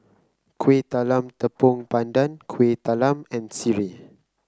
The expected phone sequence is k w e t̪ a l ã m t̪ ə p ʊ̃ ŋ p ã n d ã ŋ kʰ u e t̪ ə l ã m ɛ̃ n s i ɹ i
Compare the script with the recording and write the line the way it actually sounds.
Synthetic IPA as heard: k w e t̪ a l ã m t̪ ə p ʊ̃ ŋ p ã n d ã n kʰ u e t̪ a l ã m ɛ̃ n s i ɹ i